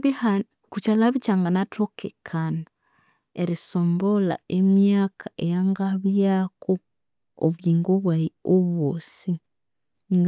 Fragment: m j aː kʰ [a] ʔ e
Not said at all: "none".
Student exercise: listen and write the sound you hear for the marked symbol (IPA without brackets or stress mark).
a